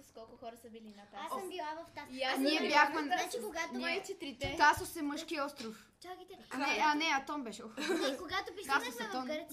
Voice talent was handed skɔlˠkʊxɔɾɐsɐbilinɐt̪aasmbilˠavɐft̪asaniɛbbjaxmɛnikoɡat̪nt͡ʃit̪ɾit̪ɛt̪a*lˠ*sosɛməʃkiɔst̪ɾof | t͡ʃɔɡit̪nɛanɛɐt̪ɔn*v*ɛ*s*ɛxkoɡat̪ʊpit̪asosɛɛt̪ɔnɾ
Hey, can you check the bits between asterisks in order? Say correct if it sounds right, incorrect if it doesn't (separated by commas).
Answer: incorrect, incorrect, incorrect